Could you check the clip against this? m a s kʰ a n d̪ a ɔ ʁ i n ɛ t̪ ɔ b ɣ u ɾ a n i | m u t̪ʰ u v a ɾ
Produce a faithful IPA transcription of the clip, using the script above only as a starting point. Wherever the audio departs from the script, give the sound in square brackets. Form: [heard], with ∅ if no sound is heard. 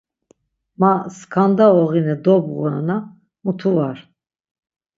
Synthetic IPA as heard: m a s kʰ a n d̪ a ɔ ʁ i n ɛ [d̪] ɔ b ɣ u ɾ a n [a] | m u t̪ʰ u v a ɾ